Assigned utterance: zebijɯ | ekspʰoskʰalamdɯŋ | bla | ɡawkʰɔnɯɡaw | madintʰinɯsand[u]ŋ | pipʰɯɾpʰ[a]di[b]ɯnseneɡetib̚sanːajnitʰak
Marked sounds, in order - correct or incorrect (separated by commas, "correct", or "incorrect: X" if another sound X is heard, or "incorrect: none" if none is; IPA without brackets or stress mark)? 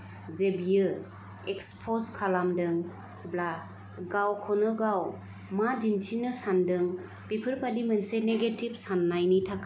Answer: incorrect: ɯ, correct, incorrect: m